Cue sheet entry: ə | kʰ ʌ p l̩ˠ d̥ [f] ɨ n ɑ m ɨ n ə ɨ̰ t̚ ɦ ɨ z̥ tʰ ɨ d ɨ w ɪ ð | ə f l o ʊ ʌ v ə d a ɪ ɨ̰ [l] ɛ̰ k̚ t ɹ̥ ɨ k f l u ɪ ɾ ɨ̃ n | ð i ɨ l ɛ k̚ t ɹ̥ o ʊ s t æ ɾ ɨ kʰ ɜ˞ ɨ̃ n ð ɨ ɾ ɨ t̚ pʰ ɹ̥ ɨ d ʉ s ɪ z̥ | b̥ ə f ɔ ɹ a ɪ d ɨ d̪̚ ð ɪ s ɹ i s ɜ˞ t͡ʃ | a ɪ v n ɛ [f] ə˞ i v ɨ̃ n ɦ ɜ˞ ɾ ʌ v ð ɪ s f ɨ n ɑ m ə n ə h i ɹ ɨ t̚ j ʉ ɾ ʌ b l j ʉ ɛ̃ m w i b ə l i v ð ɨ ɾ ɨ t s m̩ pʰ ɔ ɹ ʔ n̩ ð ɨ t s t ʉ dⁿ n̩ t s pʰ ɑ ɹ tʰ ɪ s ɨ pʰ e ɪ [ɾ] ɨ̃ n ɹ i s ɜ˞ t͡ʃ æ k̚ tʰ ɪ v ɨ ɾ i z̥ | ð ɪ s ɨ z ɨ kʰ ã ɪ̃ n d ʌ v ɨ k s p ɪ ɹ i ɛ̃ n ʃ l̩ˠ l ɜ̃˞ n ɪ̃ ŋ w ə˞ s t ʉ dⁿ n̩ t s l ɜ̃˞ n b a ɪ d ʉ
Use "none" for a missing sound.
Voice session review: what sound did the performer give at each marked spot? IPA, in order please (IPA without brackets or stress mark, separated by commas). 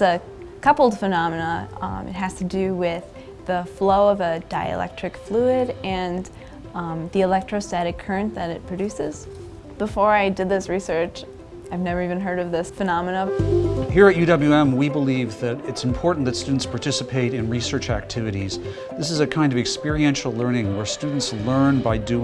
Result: f, l, v, ɾ